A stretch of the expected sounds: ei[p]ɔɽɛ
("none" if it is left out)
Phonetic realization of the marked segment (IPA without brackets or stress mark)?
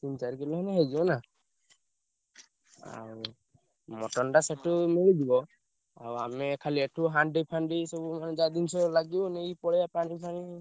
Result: p